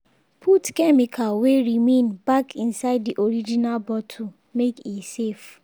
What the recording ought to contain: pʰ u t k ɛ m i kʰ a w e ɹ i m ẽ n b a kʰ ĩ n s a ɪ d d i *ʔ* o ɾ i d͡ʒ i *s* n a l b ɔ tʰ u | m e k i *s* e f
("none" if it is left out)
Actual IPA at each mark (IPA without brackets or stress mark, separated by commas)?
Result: ʔ, none, s